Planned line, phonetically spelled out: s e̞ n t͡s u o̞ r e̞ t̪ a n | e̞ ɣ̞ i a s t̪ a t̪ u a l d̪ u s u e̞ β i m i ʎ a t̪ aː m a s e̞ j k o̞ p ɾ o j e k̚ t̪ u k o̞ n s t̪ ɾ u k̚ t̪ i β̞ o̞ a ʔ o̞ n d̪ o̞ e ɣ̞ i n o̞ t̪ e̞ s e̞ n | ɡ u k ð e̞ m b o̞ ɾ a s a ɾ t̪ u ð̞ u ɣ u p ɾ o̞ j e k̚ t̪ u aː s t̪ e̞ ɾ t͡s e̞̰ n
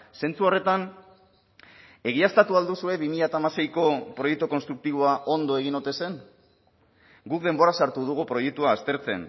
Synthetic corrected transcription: s e̞ n t͡s u o̞ r e̞ t̪ a n | e̞ ɣ̞ i a s t̪ a t̪ u a l d̪ u s u e̞ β i m i ʎ a t̪ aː m a s e̞ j k o̞ p ɾ o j e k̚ t̪ u k o̞ n s t̪ ɾ u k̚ t̪ i β̞ o̞ a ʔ o̞ n d̪ o̞ e ɣ̞ i n o̞ t̪ e̞ s e̞ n | ɡ u k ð e̞ m b o̞ ɾ a s a ɾ t̪ u ð̞ u ɣ u p ɾ o̞ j e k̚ t̪ u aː s t̪ e̞ ɾ t͡s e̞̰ n